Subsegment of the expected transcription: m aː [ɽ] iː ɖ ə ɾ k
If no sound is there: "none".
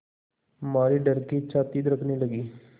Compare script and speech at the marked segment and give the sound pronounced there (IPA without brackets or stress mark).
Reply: ɾ